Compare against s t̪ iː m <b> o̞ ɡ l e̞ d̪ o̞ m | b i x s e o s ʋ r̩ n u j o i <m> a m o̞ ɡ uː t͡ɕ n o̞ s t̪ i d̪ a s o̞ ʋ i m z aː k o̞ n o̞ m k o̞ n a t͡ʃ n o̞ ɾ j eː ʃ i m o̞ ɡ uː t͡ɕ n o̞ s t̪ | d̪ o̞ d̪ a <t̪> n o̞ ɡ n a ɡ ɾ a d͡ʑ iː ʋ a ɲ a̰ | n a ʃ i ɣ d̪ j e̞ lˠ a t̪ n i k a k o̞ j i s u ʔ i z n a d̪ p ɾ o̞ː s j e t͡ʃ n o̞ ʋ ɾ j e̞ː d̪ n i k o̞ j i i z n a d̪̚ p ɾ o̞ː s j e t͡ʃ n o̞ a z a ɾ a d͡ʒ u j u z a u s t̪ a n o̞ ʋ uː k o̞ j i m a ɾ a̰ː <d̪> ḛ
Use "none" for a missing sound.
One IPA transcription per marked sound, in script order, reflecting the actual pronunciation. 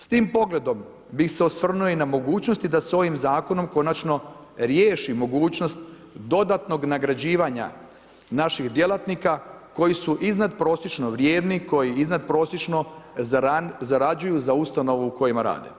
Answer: p, n, t̪, d̪

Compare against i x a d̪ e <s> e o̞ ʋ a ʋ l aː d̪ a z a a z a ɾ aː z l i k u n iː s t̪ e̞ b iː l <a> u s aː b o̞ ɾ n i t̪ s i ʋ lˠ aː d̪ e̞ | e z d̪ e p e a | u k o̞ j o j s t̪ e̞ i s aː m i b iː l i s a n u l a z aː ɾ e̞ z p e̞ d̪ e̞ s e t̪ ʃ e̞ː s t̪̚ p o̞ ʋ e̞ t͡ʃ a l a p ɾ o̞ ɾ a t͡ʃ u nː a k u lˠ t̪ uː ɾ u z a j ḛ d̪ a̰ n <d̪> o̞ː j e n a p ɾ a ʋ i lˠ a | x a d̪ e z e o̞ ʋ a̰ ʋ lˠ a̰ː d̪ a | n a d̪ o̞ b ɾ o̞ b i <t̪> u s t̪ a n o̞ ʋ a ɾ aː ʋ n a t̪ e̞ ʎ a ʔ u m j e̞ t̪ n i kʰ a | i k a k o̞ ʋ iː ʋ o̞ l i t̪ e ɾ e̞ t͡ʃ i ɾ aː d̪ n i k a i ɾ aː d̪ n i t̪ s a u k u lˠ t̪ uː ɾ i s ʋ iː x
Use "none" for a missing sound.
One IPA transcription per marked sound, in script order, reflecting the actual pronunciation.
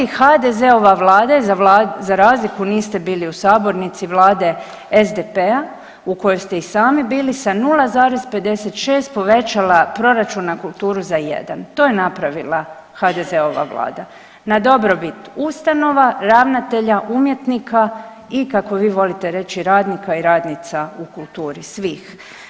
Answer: z, i, t̪, t̪

